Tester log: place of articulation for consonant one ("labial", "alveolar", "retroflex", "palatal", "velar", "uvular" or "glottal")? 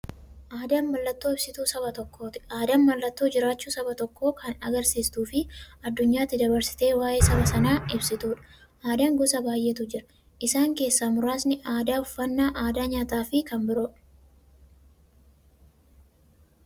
glottal